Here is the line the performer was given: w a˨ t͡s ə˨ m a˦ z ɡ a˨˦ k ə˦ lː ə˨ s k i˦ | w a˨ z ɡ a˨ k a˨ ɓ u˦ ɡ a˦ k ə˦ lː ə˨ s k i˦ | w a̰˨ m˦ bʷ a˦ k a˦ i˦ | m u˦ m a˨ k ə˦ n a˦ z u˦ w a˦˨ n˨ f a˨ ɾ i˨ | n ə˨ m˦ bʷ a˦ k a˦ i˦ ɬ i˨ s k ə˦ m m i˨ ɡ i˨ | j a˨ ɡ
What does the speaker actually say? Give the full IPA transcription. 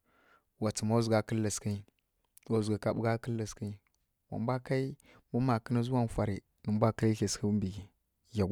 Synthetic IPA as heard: w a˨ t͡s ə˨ m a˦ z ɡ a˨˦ k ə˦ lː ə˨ s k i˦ | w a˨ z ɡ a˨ k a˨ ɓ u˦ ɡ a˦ k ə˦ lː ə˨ s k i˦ | w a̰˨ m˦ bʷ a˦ k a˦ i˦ | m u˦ m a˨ k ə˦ n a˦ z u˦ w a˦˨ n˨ f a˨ ɾ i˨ | n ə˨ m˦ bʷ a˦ k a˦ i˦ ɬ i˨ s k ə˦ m b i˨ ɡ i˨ | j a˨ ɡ

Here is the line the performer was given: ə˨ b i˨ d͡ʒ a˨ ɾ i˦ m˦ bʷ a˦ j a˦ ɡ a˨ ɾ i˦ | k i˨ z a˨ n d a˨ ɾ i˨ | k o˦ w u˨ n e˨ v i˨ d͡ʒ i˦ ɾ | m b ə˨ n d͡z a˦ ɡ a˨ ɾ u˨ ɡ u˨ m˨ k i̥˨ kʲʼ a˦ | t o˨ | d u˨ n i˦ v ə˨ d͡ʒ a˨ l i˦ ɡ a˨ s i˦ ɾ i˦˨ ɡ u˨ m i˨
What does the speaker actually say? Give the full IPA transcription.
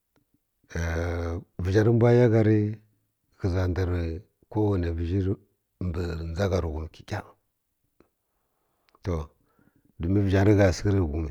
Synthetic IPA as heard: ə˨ v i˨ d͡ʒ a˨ ɾ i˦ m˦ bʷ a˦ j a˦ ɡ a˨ ɾ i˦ | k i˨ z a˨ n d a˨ ɾ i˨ | k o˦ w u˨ n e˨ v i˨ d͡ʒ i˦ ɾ | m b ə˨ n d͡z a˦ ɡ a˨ ɾ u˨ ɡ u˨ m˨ k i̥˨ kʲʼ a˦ | t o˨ | d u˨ m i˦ v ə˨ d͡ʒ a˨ ɾ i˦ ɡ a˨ s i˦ ɾ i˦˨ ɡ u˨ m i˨

